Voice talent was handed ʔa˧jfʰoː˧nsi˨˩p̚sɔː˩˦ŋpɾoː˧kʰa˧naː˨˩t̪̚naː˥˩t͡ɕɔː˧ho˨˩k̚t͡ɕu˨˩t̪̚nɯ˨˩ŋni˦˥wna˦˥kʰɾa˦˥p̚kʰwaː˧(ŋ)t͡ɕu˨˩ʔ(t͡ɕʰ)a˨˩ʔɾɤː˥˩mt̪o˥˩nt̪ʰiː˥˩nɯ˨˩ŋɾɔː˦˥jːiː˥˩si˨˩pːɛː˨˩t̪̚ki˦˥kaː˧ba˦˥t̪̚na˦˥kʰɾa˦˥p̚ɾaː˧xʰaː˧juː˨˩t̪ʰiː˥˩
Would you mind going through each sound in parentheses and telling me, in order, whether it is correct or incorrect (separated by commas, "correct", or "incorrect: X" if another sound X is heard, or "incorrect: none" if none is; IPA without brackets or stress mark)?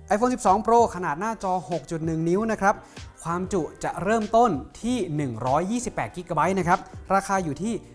incorrect: m, incorrect: t͡ɕ